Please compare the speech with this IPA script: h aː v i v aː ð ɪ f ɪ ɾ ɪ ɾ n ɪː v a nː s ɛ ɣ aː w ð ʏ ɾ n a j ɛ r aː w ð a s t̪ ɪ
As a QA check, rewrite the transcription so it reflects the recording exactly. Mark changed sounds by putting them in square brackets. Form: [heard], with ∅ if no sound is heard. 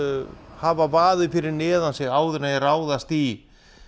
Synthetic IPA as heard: h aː v [a] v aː ð ɪ f ɪ ɾ ɪ ɾ n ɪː [ð] a [n] s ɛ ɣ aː w ð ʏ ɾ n a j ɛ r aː w ð a s t̪ [i]